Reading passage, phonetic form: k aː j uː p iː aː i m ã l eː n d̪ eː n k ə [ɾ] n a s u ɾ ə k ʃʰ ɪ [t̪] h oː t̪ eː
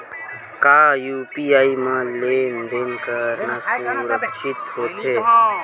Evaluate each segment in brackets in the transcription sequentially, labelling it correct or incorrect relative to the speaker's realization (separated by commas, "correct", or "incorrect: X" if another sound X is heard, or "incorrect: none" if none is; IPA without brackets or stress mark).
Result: correct, correct